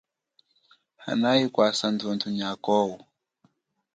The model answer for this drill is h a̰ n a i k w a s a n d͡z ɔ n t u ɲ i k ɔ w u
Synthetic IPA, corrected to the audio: h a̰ n a i k w a s a n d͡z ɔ n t u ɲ a k ɔ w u